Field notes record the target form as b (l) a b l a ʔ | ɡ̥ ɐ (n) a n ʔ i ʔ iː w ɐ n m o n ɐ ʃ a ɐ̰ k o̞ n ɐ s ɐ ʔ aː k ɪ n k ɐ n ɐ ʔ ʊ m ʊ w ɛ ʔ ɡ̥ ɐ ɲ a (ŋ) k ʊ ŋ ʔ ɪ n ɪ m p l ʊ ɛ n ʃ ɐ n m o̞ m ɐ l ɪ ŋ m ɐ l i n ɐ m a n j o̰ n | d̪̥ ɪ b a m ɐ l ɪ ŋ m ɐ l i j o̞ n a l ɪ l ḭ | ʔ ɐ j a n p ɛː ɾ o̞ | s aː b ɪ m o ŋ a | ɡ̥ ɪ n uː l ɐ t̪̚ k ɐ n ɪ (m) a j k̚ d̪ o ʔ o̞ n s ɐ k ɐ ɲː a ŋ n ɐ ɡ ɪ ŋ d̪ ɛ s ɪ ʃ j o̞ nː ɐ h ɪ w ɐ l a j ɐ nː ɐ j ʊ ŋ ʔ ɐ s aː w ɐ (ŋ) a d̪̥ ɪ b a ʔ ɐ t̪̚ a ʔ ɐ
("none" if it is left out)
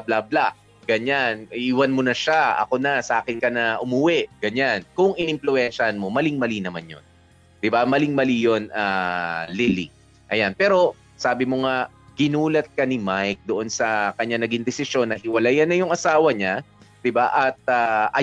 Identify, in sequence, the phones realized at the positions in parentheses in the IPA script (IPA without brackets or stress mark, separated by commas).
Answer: l, ɲ, n, m, ɲ